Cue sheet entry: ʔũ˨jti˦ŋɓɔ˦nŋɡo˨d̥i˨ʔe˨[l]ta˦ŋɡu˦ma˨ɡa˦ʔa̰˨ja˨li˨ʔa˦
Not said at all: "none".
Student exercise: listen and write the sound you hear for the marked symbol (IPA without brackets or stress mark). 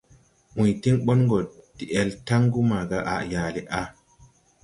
l